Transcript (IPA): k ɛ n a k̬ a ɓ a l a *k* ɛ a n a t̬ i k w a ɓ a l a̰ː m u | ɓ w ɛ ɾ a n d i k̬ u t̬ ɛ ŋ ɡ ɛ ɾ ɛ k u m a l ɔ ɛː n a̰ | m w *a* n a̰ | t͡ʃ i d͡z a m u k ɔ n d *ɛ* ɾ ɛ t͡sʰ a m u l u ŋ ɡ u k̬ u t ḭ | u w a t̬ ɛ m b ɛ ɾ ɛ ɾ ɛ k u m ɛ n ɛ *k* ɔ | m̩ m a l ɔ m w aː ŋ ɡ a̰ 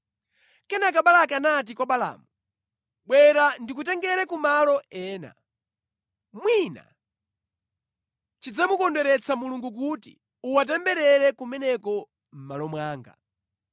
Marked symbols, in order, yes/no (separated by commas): yes, no, yes, yes